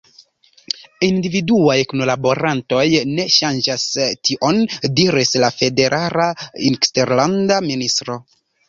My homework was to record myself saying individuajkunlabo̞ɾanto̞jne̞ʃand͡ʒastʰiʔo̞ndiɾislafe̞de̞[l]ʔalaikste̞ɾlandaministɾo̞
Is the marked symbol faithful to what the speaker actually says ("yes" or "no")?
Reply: no